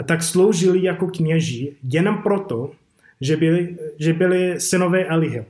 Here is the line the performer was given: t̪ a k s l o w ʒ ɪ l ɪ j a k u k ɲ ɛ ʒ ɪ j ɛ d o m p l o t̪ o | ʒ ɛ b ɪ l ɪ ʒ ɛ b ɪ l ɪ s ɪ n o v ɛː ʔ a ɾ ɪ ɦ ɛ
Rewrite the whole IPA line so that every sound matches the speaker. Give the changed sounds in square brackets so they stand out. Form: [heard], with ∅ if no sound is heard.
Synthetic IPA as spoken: t̪ a k s l o w ʒ ɪ l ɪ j a k [o] k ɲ ɛ ʒ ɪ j ɛ [n] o m p [ɾ] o t̪ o | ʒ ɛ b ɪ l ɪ ʒ ɛ b ɪ l ɪ s ɪ n o v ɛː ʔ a [l] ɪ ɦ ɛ